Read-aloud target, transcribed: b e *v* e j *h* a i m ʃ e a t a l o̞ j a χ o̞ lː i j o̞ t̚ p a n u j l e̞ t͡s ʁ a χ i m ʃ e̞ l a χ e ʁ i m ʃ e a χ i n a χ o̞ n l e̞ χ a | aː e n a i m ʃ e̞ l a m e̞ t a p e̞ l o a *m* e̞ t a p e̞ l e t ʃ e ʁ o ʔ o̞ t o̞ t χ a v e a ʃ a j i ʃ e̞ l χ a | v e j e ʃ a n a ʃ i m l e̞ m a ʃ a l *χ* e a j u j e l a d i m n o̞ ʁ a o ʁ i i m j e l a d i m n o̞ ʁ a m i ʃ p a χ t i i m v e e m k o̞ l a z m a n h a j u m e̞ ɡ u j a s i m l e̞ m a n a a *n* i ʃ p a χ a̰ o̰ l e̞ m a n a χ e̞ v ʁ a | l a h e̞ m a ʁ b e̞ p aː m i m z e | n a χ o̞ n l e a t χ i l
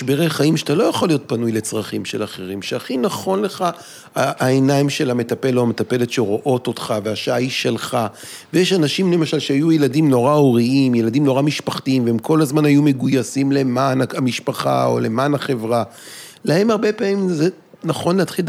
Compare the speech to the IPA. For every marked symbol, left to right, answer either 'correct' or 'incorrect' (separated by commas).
incorrect, incorrect, correct, incorrect, incorrect